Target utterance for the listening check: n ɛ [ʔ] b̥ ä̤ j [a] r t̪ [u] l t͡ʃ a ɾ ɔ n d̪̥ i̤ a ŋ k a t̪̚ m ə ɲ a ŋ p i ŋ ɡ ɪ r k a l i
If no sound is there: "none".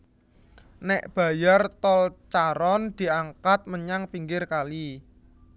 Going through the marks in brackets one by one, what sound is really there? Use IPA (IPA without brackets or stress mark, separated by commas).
ʔ, a, ɔ